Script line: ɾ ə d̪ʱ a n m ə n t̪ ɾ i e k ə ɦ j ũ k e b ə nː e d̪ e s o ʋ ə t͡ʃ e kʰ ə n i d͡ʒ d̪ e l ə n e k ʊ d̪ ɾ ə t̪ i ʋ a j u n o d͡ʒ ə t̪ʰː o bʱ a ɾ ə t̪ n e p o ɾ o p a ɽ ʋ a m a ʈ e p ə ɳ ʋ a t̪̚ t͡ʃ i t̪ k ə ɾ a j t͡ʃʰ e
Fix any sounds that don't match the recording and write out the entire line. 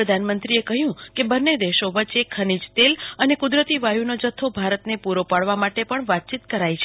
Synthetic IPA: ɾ ə d̪ʱ a n m ə n t̪ ɾ i e k ə ɦ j ũ k e b ə nː e d̪ e ʃ o ʋ ə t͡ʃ e kʰ ə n i d͡ʒ t̪ e l ə n e k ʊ d̪ ɾ ə t̪ i ʋ a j u n o d͡ʒ ə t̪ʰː o bʱ a ɾ ə t̪ n e p u ɾ o p a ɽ ʋ a m a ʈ e p ə ɳ ʋ a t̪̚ t͡ʃ i t̪ k ə ɾ a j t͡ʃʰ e